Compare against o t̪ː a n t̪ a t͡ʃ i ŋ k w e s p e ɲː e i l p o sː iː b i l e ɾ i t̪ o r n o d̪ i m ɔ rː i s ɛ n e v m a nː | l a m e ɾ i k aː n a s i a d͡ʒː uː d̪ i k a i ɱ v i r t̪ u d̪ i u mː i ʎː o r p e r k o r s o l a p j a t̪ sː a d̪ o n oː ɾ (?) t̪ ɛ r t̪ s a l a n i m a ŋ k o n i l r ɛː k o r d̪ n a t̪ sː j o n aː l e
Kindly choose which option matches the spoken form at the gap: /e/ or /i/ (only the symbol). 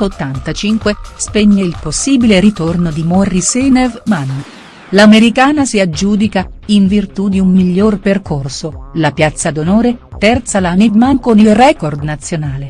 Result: e